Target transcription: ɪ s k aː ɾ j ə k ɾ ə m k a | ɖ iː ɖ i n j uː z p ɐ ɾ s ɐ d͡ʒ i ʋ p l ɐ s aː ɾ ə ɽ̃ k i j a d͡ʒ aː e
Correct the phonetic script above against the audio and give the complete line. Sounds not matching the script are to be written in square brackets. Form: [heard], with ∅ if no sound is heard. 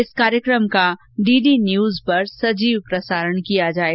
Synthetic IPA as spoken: ɪ s k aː ɾ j ə k ɾ ə m k a | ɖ iː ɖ i n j uː z p ɐ ɾ s ɐ d͡ʒ [iː] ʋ p [ɾ] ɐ s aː ɾ ə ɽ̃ k i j a d͡ʒ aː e

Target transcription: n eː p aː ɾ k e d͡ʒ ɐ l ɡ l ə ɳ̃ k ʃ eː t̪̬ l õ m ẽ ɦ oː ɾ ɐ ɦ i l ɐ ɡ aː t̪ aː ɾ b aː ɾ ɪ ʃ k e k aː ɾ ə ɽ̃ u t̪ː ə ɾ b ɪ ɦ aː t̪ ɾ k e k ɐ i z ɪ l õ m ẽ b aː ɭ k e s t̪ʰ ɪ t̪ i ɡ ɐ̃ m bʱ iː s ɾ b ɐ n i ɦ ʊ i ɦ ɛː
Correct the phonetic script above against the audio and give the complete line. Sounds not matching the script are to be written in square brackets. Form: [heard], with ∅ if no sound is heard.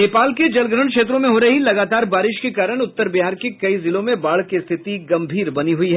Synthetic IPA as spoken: n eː p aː [l] k e d͡ʒ ɐ l ɡ [ɾ] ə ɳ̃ k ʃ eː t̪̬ [ɾ] õ m ẽ ɦ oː ɾ ɐ ɦ i l ɐ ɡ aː t̪ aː ɾ b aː ɾ ɪ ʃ k e k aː ɾ ə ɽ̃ [ʊ] t̪ː ə ɾ b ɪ ɦ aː [∅] ɾ k e k ɐ i z ɪ l õ m ẽ b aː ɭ k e s t̪ʰ ɪ t̪ i ɡ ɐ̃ m bʱ iː [∅] ɾ b ɐ n i ɦ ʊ i ɦ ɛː

